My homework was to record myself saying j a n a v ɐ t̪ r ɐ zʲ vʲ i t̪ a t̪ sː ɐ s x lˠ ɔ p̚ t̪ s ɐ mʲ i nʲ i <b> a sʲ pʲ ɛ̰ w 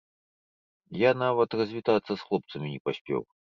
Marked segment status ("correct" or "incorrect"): incorrect